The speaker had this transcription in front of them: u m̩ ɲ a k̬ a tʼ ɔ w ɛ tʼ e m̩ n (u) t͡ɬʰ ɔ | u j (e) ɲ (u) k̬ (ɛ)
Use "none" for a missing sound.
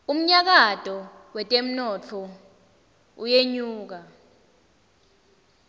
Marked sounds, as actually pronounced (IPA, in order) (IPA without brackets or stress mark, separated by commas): ɔ, e, uː, a